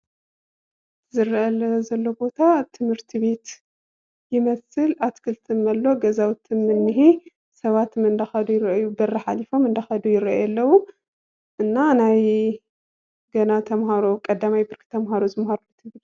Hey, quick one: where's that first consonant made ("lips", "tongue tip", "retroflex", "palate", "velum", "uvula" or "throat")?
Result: tongue tip